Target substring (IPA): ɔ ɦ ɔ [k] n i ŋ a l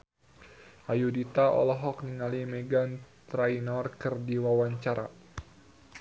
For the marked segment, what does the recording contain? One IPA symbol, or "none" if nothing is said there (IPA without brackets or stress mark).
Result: k